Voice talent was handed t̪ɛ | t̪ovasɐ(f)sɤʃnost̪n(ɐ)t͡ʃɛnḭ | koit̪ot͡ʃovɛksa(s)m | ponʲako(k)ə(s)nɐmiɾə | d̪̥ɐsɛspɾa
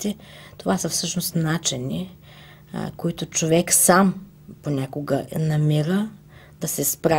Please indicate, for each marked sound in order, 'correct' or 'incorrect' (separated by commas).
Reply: correct, incorrect, incorrect, incorrect, incorrect